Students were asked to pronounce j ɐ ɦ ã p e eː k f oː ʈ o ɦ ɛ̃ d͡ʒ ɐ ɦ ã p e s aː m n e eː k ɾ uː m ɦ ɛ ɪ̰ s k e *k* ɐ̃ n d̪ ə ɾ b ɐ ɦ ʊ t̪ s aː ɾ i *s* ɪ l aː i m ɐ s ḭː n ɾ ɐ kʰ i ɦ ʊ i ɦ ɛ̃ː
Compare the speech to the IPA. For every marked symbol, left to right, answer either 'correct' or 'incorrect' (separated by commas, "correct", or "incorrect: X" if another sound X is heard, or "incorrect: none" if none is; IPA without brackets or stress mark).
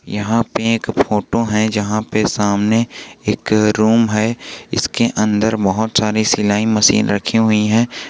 incorrect: ʔ, correct